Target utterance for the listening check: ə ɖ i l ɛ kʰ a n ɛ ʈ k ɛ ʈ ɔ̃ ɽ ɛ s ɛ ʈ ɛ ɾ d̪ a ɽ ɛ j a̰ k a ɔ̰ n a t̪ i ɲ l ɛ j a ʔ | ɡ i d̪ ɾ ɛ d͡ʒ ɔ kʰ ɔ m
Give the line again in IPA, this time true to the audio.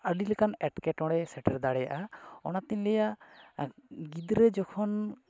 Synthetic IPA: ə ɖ i l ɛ k a n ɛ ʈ k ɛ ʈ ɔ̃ ɽ ɛ s ɛ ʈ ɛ ɾ d̪ a ɽ ɛ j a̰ ʔ a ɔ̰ n a t̪ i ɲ l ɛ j a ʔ | ɡ i d̪ ɾ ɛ d͡ʒ ɔ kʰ ɔ n